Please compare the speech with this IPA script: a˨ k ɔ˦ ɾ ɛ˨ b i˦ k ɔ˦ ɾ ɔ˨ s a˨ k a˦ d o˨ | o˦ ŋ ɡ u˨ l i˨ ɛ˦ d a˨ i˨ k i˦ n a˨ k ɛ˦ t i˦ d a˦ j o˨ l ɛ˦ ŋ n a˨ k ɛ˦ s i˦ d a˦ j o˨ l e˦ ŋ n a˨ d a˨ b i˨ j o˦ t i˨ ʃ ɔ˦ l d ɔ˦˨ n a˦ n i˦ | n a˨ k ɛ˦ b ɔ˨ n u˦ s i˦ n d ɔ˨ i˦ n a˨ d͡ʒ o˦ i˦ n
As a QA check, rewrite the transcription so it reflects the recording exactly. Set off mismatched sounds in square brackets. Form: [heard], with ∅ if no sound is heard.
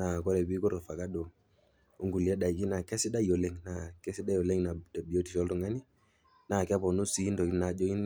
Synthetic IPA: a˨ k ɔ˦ ɾ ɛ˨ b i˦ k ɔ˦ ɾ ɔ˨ [f] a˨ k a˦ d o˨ | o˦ ŋ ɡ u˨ l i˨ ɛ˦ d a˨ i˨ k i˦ n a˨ k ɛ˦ [s] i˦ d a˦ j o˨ l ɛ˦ ŋ n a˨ k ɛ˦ s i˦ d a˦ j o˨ l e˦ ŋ n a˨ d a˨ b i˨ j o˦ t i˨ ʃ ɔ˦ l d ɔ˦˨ [ŋ] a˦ n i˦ | n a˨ k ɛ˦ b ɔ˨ n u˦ s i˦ n d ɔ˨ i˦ n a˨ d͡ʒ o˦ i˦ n